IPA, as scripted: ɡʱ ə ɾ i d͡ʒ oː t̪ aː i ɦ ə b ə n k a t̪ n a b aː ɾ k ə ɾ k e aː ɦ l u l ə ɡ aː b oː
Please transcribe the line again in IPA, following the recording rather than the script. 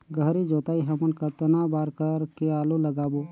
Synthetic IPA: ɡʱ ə ɾ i d͡ʒ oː t̪ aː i ɦ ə m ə n k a t̪ n a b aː ɾ k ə ɾ k e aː l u l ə ɡ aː b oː

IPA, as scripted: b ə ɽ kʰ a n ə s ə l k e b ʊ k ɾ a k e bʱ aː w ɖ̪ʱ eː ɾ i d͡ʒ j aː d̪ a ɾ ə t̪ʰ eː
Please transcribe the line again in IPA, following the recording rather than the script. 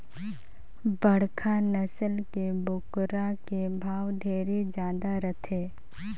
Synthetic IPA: b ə ɽ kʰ a n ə s ə l k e b ʊ k ɾ a k e bʱ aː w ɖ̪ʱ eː ɾ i d͡ʒ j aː d̪ a ɾ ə t̪ʰ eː

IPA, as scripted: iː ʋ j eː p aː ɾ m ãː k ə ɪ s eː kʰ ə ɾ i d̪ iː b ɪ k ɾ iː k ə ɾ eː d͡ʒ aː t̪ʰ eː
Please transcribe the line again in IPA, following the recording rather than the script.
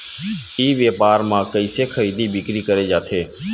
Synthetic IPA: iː ʋ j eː p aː ɾ m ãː k ə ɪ s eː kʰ ə ɾ iː d̪ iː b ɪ k ɾ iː k ə ɾ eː d͡ʒ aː t̪ʰ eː

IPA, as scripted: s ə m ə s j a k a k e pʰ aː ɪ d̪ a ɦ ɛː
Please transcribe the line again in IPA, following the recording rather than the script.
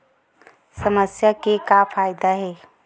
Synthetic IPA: s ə m ə s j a k e k a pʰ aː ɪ d̪ a ɦ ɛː

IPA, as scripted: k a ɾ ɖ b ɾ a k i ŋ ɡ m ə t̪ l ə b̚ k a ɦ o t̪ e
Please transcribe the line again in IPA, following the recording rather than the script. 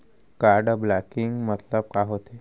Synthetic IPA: k a ɾ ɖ b l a k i ŋ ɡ m ə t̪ l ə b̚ k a ɦ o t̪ e

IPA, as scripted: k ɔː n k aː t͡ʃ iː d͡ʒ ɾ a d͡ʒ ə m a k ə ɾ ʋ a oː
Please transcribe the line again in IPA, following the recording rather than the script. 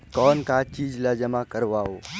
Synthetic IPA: k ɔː n k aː t͡ʃ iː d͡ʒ l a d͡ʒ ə m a k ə ɾ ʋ a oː

